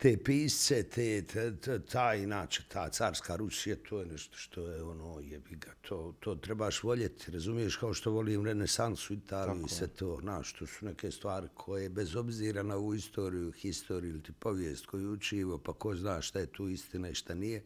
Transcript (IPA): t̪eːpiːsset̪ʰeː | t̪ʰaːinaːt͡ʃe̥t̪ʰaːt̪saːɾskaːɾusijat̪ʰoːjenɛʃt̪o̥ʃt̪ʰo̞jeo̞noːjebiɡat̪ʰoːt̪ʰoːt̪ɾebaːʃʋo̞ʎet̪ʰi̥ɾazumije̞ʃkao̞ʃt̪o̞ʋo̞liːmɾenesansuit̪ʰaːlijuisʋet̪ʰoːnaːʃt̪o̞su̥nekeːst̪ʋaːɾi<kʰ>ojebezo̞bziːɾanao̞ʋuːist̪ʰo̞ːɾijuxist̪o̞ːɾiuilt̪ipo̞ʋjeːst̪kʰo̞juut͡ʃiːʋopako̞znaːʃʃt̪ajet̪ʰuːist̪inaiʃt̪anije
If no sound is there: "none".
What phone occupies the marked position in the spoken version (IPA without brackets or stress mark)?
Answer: kʰ